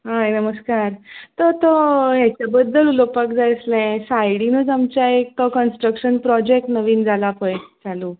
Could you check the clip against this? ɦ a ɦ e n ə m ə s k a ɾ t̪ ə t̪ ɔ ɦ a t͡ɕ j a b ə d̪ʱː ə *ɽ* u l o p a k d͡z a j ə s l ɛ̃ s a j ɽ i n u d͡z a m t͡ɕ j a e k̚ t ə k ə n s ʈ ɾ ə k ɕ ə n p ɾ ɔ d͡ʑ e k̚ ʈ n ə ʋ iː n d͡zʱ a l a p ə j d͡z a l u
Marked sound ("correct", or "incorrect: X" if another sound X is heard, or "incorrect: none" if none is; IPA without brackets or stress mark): incorrect: l